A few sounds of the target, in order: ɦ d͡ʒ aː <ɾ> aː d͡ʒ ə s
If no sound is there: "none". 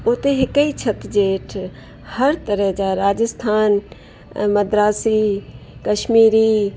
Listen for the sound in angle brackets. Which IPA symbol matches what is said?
ɾ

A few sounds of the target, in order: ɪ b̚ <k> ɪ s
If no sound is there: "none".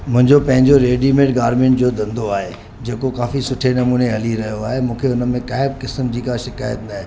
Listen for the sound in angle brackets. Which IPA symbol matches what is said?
k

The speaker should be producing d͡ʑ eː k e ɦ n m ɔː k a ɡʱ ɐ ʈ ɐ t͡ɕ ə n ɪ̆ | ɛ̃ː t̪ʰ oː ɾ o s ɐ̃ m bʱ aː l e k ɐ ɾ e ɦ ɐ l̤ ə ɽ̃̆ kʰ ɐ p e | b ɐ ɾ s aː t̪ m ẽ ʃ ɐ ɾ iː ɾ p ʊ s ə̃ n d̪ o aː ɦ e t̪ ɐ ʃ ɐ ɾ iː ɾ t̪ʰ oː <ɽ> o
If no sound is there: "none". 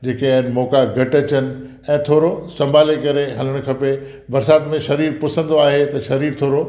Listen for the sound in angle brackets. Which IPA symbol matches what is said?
ɾ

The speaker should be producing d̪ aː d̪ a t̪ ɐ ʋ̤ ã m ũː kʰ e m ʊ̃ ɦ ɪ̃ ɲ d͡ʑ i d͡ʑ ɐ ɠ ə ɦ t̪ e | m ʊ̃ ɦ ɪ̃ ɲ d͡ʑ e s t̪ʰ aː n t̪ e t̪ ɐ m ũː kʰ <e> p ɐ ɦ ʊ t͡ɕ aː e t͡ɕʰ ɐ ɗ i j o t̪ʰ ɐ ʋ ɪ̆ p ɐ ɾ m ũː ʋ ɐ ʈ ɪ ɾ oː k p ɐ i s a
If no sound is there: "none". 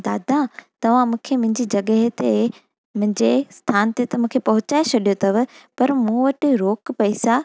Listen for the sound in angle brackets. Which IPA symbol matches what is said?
e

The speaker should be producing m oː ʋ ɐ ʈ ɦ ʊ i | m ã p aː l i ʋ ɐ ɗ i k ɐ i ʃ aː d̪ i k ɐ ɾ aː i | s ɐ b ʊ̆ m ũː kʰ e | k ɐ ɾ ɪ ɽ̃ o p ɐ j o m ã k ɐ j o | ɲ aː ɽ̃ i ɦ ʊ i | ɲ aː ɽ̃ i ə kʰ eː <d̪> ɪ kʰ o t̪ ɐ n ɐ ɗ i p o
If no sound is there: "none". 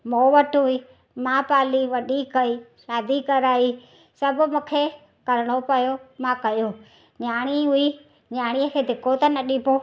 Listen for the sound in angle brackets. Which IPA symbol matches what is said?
d̪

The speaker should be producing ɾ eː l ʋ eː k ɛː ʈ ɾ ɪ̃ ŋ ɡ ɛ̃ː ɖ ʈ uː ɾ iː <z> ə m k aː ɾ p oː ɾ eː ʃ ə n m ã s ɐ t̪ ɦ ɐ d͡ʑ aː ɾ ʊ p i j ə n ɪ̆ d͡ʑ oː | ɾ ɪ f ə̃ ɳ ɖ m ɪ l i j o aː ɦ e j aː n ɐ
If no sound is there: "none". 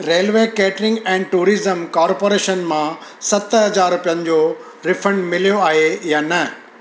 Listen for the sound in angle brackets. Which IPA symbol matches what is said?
z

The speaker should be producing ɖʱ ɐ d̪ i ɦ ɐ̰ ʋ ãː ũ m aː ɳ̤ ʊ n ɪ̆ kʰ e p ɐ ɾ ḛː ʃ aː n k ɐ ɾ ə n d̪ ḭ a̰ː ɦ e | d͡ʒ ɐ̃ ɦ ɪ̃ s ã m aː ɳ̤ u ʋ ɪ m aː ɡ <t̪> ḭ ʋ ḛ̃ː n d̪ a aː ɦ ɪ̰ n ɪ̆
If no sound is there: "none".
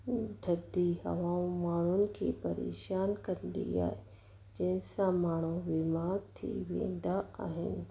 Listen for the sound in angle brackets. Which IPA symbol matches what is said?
t̪ʰ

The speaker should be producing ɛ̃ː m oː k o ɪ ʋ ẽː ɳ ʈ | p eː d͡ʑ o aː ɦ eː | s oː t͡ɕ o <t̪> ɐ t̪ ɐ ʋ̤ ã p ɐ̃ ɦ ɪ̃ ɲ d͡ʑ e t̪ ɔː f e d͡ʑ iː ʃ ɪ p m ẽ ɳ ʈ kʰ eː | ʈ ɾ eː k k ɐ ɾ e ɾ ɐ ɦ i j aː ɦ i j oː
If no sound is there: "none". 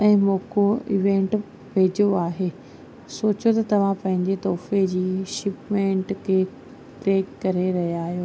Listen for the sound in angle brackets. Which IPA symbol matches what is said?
t̪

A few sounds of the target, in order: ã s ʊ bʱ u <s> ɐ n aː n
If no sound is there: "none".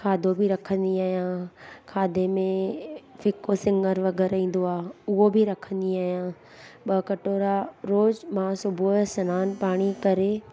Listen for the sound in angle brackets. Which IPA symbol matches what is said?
s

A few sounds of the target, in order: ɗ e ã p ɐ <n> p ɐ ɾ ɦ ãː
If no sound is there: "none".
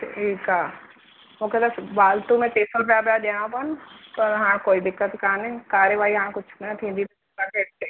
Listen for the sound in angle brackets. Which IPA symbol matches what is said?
n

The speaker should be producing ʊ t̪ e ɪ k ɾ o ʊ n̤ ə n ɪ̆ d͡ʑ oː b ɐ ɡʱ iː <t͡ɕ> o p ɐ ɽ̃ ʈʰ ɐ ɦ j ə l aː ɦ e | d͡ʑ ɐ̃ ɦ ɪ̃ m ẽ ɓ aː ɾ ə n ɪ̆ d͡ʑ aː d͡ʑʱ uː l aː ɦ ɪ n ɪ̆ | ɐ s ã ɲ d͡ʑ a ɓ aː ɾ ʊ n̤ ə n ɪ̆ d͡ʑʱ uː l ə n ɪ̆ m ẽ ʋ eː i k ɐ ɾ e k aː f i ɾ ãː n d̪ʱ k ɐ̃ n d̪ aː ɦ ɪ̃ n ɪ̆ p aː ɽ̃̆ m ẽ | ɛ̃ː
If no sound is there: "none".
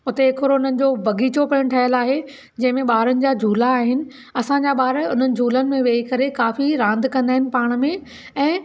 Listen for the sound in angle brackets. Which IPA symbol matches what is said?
t͡ɕ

